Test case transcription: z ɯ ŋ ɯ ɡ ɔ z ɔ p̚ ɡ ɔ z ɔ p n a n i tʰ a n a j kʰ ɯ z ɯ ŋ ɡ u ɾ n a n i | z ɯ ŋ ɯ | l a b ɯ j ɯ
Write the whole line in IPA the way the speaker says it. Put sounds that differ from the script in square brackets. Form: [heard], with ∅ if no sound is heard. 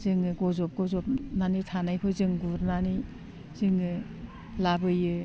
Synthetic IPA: z ɯ ŋ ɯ ɡ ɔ z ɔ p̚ ɡ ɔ z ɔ p n a n i tʰ a n a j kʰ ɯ z ɯ ŋ ɡ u ɾ n a n i | z ɯ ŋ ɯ | l a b ɯ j ɯ